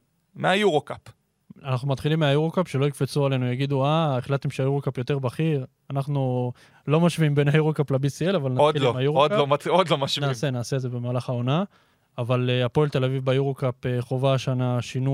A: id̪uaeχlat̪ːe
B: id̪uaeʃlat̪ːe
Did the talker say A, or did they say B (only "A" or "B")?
A